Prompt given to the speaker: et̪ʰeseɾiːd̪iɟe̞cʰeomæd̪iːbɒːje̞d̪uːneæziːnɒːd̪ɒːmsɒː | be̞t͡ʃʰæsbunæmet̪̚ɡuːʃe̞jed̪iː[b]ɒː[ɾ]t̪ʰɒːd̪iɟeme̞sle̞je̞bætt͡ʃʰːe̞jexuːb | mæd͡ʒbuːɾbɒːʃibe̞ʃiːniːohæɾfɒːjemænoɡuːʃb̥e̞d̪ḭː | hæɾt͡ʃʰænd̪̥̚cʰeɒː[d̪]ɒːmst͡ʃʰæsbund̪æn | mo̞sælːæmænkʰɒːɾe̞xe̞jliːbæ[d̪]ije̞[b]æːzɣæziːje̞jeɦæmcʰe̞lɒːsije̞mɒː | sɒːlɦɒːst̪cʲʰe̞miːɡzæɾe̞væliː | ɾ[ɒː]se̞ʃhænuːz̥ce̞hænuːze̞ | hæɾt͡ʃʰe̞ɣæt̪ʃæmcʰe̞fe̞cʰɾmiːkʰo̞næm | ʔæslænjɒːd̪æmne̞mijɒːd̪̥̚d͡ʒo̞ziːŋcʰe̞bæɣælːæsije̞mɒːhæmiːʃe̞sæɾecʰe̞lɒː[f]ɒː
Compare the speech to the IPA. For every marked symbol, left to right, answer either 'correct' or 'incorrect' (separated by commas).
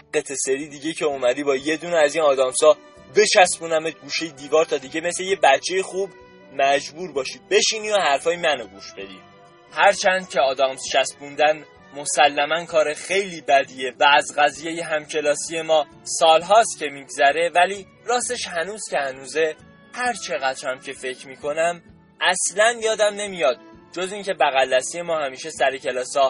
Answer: incorrect, correct, correct, correct, incorrect, correct, incorrect